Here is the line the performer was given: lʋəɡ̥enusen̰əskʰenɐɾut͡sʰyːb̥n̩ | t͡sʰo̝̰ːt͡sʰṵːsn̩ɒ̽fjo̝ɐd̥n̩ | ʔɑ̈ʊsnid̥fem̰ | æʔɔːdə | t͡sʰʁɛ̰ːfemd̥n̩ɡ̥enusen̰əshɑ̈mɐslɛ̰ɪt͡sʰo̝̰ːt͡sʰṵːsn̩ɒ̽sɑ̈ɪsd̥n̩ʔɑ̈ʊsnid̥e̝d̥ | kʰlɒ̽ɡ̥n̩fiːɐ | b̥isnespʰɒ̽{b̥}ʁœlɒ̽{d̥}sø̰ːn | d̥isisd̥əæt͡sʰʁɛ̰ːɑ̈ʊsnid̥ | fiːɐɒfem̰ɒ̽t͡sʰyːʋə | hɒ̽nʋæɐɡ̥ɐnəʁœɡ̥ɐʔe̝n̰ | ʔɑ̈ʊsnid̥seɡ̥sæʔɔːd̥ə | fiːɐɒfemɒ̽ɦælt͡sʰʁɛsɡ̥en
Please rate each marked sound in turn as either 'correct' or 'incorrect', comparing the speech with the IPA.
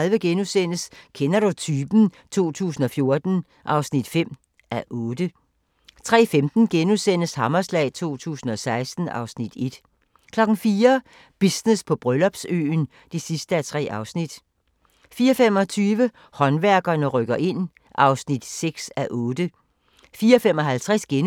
correct, incorrect: b̥

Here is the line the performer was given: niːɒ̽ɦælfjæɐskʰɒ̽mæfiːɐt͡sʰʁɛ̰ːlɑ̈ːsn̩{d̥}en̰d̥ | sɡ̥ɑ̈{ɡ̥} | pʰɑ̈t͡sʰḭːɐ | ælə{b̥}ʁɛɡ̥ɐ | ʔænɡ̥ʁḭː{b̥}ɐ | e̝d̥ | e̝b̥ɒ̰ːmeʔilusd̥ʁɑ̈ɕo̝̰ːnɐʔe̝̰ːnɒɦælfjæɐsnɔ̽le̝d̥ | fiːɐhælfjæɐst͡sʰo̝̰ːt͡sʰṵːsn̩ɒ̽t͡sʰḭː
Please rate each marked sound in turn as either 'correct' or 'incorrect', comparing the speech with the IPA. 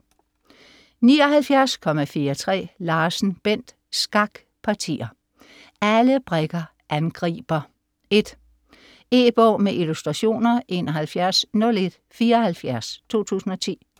incorrect: b̥, correct, correct, correct

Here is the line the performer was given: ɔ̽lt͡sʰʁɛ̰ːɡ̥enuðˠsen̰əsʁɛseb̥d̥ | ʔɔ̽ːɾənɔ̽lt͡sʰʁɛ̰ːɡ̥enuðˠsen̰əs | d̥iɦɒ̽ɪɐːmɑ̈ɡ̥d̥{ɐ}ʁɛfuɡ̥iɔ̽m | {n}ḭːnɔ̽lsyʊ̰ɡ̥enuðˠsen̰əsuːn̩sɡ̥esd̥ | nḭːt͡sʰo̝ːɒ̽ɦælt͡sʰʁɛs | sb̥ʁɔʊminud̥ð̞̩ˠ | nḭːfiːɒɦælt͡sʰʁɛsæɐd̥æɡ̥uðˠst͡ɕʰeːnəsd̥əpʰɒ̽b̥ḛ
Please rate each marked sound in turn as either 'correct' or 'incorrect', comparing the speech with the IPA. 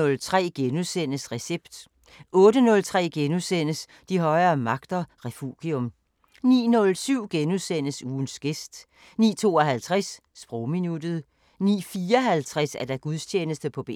correct, correct

